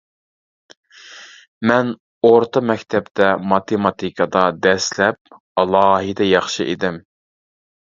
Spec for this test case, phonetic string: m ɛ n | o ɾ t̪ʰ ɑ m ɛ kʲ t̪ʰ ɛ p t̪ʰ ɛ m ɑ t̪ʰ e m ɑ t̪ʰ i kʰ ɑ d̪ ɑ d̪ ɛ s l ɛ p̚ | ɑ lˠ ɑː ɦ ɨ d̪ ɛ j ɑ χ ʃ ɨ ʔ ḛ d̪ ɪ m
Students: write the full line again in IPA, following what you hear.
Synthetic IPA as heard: m ɛ n | o ɾ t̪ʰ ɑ m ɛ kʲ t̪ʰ ɛ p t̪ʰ ɛ m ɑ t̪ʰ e m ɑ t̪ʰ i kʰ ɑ d̪ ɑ d̪ ɛ s l ɛ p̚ | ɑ lˠ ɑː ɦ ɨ d̪ ɛ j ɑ χ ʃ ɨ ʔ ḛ d̪ ɪ m

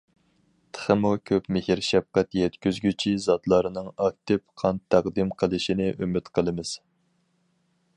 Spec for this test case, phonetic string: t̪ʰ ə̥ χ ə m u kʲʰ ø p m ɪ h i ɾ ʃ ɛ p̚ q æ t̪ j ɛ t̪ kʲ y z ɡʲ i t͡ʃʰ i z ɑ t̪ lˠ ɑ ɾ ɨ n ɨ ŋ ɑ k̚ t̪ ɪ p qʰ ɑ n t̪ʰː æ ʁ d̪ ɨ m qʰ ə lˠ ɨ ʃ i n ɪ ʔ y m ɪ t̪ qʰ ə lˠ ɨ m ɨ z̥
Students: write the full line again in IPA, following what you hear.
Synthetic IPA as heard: t̪ʰ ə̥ χ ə m u kʲʰ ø p m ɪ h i ɾ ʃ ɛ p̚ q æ t̪ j ɛ t̪ kʲ y z ɡʲ y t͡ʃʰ i z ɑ t̪ lˠ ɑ ɾ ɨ n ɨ ŋ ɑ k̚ t̪ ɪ p qʰ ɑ n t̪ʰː æ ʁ d̪ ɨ m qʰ ə lˠ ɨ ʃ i n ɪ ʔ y m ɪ t̪ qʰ ə lˠ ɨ m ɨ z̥

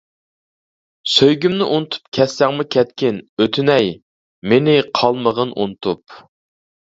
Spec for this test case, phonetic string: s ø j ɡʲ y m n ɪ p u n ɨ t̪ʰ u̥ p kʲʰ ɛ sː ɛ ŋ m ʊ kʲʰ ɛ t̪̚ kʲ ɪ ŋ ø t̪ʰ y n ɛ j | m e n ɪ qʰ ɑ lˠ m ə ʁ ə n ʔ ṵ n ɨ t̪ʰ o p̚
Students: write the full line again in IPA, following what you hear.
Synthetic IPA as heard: s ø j ɡʲ y m n ɪ ʔ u n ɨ t̪ʰ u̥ p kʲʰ ɛ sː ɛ ŋ m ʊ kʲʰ ɛ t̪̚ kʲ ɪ n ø t̪ʰ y n ɛ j | m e n ɪ qʰ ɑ lˠ m ə ʁ ə n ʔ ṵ n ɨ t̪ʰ u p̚

